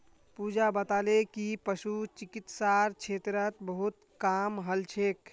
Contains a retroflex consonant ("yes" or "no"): no